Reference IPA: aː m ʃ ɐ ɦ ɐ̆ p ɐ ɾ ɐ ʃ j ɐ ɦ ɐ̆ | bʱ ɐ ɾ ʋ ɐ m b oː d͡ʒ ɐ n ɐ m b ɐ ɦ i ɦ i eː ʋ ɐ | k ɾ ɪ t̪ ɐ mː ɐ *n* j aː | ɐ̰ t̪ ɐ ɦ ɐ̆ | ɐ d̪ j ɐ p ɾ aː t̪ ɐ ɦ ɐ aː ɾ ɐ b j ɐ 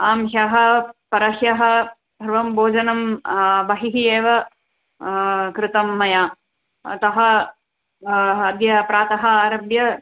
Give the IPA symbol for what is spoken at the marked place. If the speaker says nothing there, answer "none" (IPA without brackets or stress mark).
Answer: none